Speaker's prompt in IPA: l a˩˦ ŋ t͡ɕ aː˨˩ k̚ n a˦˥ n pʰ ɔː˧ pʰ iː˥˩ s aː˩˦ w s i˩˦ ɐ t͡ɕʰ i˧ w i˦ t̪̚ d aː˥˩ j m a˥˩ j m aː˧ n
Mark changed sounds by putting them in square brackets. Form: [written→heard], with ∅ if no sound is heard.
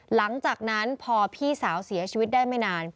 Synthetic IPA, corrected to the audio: l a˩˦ ŋ t͡ɕ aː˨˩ k̚ n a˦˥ n pʰ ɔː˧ pʰ iː˥˩ s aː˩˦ w s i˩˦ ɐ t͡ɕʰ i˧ w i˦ t̪̚ d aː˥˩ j m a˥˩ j [m→n] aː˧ n